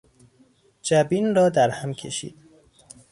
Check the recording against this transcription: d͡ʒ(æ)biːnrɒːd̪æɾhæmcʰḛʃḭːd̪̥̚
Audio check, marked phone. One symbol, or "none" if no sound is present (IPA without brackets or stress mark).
æ